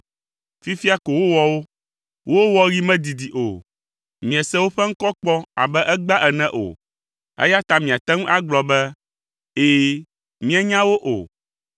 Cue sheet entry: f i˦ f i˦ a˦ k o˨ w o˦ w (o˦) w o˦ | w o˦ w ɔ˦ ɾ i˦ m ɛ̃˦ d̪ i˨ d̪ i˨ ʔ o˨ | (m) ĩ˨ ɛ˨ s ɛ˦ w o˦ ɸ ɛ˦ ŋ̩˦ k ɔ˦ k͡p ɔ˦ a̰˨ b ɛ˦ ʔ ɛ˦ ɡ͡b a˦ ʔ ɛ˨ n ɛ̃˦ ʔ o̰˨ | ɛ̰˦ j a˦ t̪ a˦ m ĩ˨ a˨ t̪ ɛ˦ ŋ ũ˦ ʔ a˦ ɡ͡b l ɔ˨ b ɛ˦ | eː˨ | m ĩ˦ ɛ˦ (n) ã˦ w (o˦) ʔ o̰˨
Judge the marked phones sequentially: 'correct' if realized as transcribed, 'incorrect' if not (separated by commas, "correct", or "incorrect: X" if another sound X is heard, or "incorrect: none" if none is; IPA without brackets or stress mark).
incorrect: ɔ˦, correct, incorrect: ɲ, correct